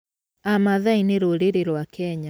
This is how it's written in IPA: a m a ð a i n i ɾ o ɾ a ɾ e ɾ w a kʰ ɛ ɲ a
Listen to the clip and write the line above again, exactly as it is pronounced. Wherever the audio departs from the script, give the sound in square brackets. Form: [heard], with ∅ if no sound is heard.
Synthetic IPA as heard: a m a ð a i n [e] ɾ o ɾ [e] ɾ e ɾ w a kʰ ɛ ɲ a